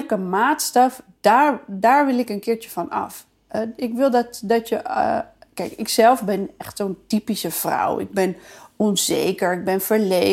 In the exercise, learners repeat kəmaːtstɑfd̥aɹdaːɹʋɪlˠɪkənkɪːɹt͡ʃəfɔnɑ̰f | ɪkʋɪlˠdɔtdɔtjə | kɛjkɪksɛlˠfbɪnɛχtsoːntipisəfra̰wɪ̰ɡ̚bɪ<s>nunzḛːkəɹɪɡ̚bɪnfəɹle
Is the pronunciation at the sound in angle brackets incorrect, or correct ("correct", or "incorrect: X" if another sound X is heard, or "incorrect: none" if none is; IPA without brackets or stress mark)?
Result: incorrect: none